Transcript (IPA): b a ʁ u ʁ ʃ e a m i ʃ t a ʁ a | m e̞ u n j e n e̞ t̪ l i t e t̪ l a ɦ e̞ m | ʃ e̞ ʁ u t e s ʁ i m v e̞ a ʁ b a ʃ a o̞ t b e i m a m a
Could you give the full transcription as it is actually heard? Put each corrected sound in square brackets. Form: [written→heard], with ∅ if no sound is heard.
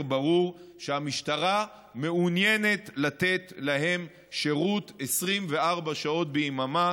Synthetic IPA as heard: b a ʁ u ʁ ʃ e a m i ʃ t a ʁ a | m e̞ u n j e n e̞ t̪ l [i→a] t e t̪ l a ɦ e̞ m | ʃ e̞ ʁ u t e s ʁ i m v e̞ a ʁ b a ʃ a o̞ t b e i m a m a